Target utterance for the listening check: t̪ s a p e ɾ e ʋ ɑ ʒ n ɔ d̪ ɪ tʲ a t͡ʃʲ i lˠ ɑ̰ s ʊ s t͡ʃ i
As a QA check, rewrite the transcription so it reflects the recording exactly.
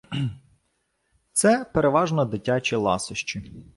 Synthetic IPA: t̪ s ɛ p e ɾ e ʋ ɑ ʒ n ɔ d̪ ɪ tʲ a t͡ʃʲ i lˠ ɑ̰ s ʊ ʃ t͡ʃ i

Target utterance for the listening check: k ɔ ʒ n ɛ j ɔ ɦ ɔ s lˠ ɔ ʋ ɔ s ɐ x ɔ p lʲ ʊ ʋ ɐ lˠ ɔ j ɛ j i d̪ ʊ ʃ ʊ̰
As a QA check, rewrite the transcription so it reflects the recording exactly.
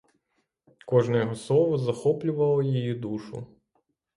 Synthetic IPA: k ɔ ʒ n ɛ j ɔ ɦ ɔ s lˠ ɔ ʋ ɔ z ɐ x ɔ p lʲ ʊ ʋ ɐ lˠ ɔ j i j i d̪ u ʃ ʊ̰

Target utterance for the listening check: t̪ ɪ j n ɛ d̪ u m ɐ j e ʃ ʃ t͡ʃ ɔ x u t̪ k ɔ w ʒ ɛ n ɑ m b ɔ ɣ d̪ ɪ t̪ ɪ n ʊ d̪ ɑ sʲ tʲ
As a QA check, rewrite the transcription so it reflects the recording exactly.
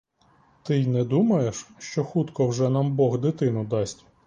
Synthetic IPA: t̪ ɪ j n ɛ d̪ u m ɐ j e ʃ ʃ t͡ʃ ɔ x u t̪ k ɔ w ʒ ɛ n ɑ m b ɔ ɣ d̪ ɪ t̪ ɪ n ʊ d̪ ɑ sʲ tʲ

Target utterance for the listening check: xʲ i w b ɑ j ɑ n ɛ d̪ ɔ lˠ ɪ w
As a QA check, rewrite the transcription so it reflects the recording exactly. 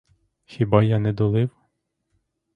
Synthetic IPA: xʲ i b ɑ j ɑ n ɛ d̪ ɔ lˠ ɪ w

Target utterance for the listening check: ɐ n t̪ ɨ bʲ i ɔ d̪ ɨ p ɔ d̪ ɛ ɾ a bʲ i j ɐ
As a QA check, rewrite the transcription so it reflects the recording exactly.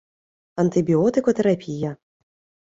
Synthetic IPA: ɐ n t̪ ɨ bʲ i ɔ t̪ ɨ k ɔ t̪ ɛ ɾ a pʲ i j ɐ

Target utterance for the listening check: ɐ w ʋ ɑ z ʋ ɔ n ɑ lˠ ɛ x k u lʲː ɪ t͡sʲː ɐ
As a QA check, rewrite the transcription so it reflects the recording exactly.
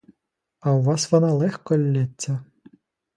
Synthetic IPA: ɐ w ʋ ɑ s ʋ ɔ n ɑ lˠ ɛ x k ɔ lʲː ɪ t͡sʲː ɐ

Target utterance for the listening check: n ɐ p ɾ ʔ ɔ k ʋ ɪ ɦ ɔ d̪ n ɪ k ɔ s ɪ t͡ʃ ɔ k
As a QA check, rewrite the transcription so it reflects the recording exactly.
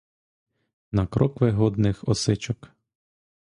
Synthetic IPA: n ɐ k ɾ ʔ ɔ k ʋ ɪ ɦ ɔ d̪ n ɪ x ɔ s ɪ t͡ʃ ɔ k

